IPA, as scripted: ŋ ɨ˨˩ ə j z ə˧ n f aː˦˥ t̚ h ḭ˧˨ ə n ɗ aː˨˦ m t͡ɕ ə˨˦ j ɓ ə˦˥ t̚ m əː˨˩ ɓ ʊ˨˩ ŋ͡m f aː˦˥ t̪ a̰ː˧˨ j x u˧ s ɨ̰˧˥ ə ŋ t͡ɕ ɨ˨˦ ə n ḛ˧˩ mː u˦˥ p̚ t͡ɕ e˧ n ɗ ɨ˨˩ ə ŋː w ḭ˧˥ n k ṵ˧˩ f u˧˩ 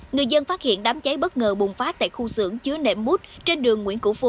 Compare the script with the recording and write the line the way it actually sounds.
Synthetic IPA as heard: ŋ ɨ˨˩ ə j z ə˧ n f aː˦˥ t̚ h ḭ˧˨ ə n ɗ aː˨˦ m t͡ɕ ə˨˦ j ɓ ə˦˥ t̚ ŋ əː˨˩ ɓ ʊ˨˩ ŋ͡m f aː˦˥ t̪ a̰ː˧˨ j x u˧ s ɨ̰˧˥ ə ŋ t͡ɕ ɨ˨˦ ə n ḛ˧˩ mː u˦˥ t̚ t͡ɕ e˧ n ɗ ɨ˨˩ ə ŋː w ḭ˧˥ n k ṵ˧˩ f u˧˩